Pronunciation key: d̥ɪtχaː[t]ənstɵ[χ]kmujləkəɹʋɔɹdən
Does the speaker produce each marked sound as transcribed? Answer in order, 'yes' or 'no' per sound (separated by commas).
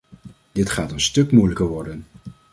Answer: yes, no